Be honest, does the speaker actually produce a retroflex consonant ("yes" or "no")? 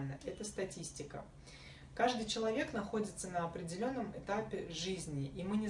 yes